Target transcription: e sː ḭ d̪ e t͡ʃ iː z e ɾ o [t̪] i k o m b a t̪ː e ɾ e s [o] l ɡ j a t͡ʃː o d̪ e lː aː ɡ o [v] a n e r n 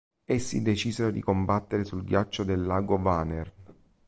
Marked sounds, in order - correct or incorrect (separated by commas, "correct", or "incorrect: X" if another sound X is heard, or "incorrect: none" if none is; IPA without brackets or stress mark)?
incorrect: d̪, incorrect: u, correct